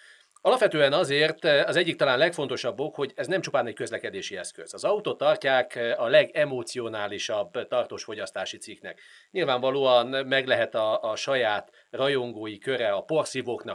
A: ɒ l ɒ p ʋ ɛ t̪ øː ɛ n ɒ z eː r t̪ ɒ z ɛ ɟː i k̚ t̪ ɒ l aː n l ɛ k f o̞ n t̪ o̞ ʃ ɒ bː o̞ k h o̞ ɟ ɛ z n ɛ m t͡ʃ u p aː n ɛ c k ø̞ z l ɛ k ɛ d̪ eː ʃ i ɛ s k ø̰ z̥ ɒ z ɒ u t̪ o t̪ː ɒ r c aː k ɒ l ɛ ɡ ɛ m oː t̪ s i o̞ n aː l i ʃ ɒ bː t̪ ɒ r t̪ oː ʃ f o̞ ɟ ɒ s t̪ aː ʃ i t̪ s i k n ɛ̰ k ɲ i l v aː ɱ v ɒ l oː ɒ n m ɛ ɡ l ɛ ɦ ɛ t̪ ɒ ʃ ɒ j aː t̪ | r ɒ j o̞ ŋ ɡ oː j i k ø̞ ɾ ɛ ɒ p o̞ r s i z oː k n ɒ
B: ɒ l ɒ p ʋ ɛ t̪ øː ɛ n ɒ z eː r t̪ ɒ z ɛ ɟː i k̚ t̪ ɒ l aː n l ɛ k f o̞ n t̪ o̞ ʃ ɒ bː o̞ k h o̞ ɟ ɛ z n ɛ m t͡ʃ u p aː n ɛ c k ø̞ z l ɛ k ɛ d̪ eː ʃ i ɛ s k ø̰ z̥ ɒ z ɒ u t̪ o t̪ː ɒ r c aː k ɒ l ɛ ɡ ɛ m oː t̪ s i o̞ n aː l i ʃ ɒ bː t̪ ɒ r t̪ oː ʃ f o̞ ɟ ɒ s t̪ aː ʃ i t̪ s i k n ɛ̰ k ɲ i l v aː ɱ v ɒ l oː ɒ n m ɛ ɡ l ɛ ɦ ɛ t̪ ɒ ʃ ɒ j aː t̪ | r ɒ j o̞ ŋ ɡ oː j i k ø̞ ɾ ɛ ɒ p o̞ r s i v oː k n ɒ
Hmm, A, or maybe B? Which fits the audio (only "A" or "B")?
B